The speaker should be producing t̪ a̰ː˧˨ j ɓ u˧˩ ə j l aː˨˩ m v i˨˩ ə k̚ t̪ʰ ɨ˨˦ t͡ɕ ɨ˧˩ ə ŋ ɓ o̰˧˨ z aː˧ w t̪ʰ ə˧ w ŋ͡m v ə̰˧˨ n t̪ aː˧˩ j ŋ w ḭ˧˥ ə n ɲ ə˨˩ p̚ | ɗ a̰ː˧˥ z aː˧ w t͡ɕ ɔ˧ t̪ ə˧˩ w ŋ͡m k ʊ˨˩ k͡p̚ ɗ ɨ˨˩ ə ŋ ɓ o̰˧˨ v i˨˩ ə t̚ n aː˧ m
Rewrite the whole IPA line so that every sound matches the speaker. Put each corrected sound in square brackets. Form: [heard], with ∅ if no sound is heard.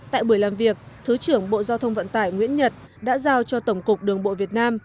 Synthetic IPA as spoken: t̪ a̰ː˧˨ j ɓ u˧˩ ə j l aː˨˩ m v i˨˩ ə k̚ t̪ʰ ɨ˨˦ t͡ɕ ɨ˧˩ ə ŋ ɓ o̰˧˨ z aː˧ w t̪ʰ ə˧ w ŋ͡m v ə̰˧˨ n t̪ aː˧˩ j ŋ w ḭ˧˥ ə n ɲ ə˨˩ [t̚] | ɗ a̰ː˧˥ z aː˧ w t͡ɕ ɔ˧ t̪ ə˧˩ w ŋ͡m k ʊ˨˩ k͡p̚ ɗ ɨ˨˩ ə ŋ ɓ o̰˧˨ v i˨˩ ə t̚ n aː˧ m